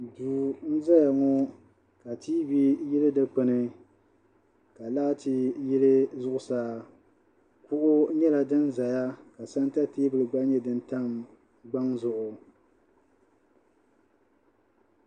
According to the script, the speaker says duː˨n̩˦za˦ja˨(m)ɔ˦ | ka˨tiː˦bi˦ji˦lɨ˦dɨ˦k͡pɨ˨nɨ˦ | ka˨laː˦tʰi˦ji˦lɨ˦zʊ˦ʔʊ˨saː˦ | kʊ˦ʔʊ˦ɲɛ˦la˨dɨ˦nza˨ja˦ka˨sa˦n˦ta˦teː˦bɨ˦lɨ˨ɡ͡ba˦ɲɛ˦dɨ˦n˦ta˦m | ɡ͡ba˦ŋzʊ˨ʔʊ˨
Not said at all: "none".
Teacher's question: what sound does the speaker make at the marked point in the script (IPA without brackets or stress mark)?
ŋ